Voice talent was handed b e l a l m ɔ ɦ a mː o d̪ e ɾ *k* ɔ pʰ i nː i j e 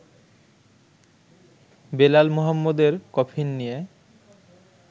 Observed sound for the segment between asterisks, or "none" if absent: k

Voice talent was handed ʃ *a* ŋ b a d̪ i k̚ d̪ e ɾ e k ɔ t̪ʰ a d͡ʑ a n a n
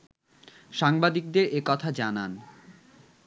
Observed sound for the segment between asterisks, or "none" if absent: a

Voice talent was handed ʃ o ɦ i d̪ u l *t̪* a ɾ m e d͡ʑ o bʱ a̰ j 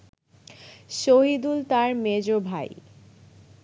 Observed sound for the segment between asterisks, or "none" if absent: t̪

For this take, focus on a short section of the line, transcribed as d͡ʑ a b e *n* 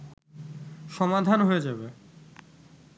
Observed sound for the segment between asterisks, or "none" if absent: none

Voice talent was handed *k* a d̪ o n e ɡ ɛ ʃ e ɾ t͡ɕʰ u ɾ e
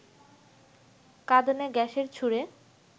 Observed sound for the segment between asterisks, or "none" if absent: k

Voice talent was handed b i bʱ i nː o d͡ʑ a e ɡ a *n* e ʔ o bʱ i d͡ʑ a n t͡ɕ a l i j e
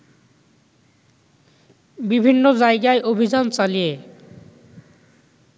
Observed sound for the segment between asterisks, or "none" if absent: none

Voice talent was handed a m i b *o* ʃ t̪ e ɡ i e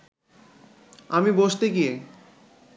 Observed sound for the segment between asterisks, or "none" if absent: o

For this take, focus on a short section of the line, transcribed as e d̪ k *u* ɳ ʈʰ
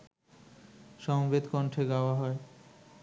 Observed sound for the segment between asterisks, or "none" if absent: ɔ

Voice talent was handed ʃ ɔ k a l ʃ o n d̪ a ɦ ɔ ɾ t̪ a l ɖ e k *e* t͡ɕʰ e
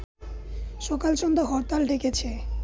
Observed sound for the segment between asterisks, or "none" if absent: e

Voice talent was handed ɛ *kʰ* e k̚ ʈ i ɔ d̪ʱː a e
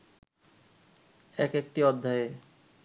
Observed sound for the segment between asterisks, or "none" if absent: k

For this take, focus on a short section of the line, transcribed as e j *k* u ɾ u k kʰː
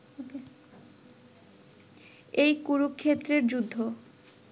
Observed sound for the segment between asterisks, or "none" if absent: k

